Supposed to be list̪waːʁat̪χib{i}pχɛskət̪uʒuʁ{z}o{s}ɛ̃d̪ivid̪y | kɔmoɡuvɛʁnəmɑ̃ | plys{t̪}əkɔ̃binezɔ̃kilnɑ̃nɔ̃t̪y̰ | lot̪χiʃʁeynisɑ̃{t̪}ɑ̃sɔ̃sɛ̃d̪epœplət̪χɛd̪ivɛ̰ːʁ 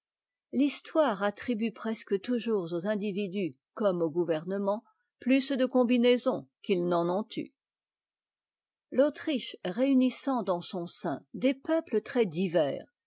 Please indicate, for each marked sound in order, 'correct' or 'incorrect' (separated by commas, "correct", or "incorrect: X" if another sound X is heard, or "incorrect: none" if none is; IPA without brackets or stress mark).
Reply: incorrect: y, correct, incorrect: z, incorrect: d̪, incorrect: d̪